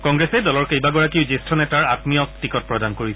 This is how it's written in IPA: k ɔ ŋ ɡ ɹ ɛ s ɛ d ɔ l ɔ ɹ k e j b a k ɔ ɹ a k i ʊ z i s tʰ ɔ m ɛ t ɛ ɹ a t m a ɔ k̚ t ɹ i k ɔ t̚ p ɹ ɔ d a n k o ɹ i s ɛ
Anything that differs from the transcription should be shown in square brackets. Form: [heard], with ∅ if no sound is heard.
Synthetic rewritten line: k ɔ ŋ ɡ ɹ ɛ s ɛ d ɔ l ɔ ɹ k e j b a [ɡ] ɔ ɹ a k i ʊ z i s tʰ ɔ [n] ɛ t [a] ɹ a t m [i] ɔ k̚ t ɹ i k ɔ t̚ p ɹ ɔ d a n k o ɹ i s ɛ